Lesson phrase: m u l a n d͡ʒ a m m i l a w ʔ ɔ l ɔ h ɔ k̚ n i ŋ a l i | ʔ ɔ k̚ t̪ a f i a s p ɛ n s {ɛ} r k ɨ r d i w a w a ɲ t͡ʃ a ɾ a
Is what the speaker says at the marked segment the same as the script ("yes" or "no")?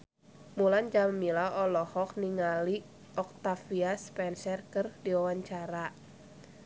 yes